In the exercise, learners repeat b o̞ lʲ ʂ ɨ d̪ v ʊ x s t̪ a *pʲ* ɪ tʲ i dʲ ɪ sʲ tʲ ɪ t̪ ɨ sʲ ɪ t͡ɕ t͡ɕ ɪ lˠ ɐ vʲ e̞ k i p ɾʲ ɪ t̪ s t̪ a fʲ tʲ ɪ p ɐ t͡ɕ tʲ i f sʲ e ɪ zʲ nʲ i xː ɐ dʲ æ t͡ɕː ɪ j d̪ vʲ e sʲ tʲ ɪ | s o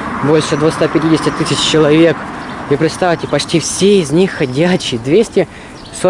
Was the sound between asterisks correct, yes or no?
yes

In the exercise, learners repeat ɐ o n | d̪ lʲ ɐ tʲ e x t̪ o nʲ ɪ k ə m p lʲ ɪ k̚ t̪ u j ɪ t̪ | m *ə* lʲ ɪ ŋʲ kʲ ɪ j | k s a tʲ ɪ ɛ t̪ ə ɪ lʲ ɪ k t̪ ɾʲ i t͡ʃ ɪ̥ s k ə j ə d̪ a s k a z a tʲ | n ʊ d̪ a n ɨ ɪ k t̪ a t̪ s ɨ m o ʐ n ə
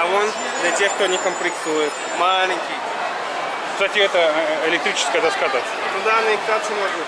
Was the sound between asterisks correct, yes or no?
no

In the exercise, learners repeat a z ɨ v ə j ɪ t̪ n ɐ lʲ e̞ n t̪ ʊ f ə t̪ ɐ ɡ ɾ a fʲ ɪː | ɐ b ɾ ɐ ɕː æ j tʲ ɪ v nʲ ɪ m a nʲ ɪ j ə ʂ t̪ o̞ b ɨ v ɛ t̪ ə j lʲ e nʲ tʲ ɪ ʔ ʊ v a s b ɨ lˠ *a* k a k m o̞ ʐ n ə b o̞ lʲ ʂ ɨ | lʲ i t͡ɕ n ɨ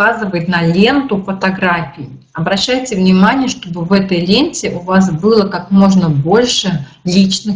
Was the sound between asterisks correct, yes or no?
no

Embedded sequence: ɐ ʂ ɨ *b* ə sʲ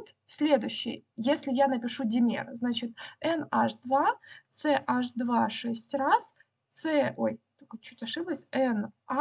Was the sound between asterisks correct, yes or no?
yes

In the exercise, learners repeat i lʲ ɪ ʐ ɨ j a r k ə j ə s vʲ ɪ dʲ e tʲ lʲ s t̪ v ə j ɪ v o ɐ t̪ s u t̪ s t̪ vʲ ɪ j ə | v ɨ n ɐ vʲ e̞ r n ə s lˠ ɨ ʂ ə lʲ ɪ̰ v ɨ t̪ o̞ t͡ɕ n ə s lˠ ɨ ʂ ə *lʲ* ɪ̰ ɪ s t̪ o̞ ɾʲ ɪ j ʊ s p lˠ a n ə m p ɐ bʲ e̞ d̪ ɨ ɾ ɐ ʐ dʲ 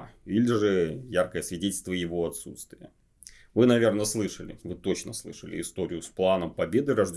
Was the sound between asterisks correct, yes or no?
yes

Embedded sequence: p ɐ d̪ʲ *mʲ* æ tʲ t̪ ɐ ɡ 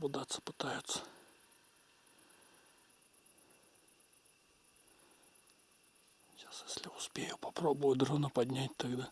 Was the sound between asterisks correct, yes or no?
no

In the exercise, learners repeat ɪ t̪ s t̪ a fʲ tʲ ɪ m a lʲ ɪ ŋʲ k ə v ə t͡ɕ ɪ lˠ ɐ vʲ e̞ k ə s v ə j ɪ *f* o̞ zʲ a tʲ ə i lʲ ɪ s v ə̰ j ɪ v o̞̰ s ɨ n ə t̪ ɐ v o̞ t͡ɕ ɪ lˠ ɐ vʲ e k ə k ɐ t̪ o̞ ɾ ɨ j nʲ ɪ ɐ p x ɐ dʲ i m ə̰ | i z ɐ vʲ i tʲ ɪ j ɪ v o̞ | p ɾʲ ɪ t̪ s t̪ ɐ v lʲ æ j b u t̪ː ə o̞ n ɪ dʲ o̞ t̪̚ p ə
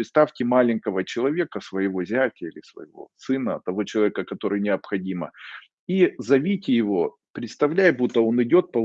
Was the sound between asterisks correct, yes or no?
no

